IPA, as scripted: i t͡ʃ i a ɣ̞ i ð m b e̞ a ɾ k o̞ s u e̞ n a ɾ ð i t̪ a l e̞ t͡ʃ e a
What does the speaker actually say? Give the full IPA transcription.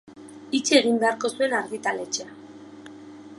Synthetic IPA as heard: i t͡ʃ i e ɣ̞ i m b e̞ a ɾ k o̞ s u e̞ n a ɾ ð i t̪ a l e̞ t͡ʃ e a